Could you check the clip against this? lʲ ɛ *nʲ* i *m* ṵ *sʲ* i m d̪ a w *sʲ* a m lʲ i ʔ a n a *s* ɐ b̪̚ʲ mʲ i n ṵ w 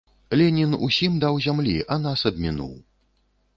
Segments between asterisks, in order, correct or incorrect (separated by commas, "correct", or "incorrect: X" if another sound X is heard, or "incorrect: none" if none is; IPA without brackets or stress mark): correct, incorrect: n, correct, incorrect: zʲ, correct